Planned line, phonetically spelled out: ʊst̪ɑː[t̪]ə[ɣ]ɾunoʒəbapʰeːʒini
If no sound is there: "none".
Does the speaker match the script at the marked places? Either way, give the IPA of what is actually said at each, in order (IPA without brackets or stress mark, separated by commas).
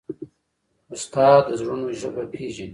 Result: d̪, z